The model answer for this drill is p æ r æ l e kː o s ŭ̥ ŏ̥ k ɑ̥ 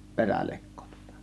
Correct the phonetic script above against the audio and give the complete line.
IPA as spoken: p e r æ l e kː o t ŭ̥ ŏ̥ t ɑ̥